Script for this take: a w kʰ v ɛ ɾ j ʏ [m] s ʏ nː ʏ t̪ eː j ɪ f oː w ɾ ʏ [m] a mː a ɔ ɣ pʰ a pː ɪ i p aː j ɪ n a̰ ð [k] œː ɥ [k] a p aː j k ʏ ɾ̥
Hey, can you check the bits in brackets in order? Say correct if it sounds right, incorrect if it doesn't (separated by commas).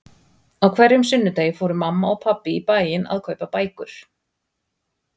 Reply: correct, correct, incorrect, incorrect